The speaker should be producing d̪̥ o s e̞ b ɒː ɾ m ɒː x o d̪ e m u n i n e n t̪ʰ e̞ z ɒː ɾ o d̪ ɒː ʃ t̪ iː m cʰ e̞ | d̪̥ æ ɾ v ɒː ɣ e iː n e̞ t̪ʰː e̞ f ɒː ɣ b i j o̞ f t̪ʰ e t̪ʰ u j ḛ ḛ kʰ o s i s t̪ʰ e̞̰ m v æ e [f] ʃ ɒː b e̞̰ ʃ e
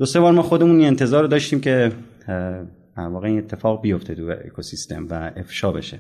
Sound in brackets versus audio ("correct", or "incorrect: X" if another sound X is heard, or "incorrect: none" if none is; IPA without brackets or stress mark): correct